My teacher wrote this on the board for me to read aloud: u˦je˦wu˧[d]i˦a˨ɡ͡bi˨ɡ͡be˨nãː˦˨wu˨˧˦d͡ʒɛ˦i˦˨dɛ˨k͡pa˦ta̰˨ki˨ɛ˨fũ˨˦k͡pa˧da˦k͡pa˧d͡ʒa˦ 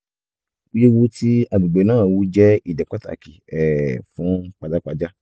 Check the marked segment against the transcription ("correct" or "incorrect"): incorrect